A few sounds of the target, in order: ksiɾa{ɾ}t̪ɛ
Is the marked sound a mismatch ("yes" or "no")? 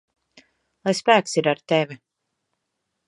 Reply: no